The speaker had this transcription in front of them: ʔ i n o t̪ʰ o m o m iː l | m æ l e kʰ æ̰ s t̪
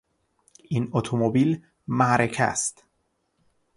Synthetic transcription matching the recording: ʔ i n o t̪ʰ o m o b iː l | m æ ɾ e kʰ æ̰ s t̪